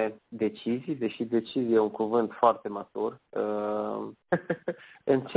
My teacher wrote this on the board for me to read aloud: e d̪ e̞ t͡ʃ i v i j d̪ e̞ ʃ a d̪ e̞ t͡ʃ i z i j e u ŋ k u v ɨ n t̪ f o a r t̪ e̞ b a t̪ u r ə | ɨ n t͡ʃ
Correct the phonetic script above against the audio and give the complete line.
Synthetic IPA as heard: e d̪ e̞ t͡ʃ i z i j d̪ e̞ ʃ i d̪ e̞ t͡ʃ i z i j e u ŋ k u v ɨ n t̪ f o a r t̪ e̞ m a t̪ u r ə | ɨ n t͡ʃ